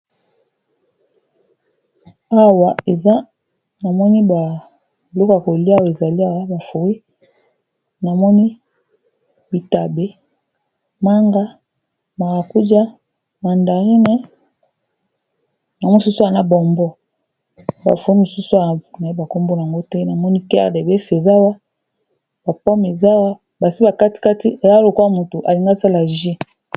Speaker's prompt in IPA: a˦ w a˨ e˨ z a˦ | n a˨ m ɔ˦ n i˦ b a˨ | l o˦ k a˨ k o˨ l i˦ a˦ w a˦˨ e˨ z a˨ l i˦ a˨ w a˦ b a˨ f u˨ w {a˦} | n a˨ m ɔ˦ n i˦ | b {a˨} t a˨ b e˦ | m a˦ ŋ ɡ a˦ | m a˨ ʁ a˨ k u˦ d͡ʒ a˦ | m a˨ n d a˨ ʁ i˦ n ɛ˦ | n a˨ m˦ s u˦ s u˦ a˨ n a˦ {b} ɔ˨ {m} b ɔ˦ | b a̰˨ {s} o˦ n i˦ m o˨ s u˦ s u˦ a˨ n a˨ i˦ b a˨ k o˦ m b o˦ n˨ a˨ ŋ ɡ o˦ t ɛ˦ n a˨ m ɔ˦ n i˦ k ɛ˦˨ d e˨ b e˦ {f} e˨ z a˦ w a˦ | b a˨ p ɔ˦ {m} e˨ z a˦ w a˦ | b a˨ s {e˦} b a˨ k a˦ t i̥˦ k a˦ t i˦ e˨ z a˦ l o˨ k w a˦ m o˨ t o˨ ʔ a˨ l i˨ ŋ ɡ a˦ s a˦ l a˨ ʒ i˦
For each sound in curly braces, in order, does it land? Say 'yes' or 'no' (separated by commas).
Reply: no, no, yes, yes, no, yes, yes, no